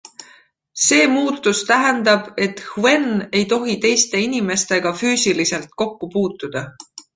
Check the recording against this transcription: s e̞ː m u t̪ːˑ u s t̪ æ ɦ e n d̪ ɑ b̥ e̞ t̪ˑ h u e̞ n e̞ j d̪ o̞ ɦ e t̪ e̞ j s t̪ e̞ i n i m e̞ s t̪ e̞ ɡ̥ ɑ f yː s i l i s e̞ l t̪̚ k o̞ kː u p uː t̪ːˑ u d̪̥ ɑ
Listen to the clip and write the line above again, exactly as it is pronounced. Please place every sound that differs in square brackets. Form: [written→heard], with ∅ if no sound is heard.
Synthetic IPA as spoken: s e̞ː m [u→uː] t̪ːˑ u s t̪ æ ɦ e n d̪ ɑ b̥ e̞ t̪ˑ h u e̞ n e̞ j [d̪→t̪] o̞ ɦ [e→i] t̪ e̞ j s t̪ e̞ i n i m e̞ s t̪ e̞ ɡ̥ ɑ f yː s i l i s e̞ l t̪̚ k o̞ kː u p uː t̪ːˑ u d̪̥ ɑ